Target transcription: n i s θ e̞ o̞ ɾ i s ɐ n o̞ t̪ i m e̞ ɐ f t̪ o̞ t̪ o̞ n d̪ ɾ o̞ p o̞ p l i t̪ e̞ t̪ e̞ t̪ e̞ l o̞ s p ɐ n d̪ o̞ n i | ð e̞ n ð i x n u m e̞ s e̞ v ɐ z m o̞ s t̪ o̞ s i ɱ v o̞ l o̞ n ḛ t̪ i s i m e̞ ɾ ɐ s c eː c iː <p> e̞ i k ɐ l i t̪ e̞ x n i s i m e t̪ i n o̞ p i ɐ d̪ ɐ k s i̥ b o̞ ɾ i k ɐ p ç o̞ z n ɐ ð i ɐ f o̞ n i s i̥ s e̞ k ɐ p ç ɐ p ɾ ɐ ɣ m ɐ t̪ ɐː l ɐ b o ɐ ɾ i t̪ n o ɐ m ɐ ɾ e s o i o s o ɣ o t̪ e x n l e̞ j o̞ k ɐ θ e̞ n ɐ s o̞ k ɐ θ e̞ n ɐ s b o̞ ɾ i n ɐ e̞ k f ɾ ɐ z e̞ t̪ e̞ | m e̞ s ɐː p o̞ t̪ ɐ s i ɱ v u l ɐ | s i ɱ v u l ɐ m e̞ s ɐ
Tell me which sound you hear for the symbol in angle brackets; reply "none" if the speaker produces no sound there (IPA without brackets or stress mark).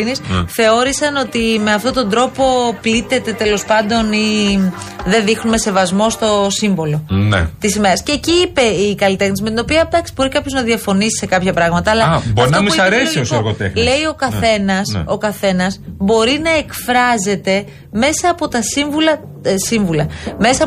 p